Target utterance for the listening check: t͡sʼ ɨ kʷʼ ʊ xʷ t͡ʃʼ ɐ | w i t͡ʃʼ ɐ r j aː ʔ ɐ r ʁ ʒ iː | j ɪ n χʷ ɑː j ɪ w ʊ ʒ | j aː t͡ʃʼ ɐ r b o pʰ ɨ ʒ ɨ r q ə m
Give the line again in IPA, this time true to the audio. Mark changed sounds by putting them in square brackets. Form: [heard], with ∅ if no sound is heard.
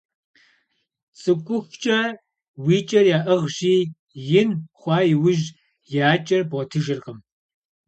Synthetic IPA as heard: t͡sʼ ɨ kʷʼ ʊ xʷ t͡ʃʼ ɐ | w [iː] t͡ʃʼ ɐ r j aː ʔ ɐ [∅] ʁ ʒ iː | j ɪ n χʷ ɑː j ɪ w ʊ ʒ | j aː t͡ʃʼ ɐ r b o [tʰ] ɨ ʒ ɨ r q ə m